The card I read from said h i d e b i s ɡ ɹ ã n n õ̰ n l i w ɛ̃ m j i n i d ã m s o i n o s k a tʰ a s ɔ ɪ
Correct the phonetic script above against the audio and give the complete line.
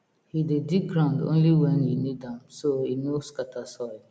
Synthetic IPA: h i d e d i ɡ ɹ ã n d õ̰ n l i w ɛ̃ n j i n i d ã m s o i n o s k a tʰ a s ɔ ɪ